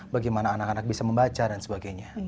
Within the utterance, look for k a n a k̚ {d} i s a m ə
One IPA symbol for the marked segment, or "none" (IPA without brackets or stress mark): b